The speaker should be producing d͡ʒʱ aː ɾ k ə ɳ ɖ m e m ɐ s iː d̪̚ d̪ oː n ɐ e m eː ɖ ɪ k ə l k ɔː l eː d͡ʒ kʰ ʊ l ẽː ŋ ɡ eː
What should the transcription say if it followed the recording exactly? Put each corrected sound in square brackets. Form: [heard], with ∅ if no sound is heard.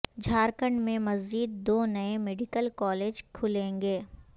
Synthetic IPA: d͡ʒʱ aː ɾ k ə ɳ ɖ m [ẽ] m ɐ [z] iː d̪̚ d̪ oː n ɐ e m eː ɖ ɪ k ə l k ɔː l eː d͡ʒ kʰ ʊ l ẽː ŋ ɡ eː